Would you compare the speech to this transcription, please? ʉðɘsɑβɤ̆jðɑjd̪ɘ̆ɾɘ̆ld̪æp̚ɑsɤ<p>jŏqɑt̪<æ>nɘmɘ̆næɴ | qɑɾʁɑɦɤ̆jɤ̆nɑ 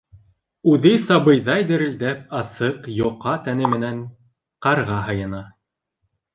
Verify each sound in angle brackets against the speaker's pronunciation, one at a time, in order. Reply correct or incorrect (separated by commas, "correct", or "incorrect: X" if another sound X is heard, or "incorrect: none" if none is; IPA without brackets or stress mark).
incorrect: q, correct